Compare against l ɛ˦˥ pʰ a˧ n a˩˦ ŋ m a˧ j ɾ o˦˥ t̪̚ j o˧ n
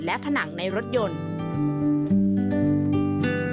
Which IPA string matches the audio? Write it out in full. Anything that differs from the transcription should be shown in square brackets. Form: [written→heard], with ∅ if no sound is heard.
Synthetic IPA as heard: l ɛ˦˥ pʰ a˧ n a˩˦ ŋ [m→n] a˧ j ɾ o˦˥ t̪̚ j o˧ n